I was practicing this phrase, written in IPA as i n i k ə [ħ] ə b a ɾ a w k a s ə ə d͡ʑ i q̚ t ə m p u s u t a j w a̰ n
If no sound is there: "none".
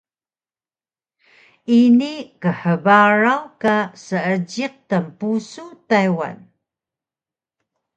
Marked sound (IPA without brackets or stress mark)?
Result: ħ